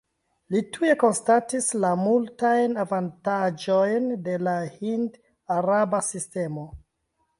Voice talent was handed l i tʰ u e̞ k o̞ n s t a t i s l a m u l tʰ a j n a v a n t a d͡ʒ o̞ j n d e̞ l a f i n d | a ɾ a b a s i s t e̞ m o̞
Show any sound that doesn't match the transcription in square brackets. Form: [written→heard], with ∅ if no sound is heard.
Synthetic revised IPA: l i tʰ u e̞ k o̞ n s t a t i s l a m u l [tʰ→t] a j n a v a n t a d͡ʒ o̞ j n d e̞ l a [f→h] i n d | a ɾ a b a s i s t e̞ m o̞